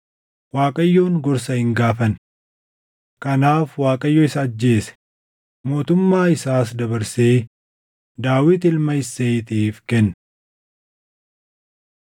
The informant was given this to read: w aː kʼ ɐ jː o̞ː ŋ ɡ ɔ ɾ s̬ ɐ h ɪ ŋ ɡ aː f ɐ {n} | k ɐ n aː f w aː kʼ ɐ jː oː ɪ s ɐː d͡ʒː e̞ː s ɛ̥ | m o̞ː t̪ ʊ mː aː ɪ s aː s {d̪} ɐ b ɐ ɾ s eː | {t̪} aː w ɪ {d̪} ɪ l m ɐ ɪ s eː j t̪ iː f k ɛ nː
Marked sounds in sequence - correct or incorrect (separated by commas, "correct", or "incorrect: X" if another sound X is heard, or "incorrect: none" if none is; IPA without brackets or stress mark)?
correct, correct, incorrect: d̪, incorrect: t̪